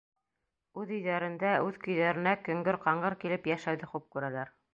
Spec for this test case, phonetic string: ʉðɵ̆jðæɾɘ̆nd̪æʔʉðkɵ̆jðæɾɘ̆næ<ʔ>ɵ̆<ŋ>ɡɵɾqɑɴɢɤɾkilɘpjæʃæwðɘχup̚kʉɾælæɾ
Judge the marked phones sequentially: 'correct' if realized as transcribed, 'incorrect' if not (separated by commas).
incorrect, correct